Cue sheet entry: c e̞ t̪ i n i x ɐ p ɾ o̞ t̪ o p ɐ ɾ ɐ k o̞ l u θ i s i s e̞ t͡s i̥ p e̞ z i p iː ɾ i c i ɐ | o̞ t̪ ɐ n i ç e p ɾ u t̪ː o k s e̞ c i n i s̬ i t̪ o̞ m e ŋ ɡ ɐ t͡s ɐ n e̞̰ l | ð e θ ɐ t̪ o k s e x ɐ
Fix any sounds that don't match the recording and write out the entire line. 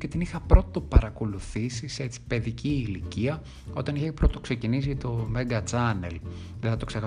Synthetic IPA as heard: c e̞ t̪ i n i x ɐ p ɾ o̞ t̪ o p ɐ ɾ ɐ k o̞ l u θ i s i s e̞ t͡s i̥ p e̞ ð i c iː l i c i ɐ | o̞ t̪ ɐ n i ç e p ɾ o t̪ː o k s e̞ c i n i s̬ i t̪ o̞ m e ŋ ɡ ɐ t͡s ɐ n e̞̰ l | ð e θ ɐ t̪ o k s e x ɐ